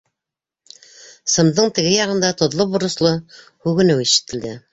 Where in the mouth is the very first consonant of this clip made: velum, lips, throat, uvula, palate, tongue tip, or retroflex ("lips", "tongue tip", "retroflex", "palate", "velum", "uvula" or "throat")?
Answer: tongue tip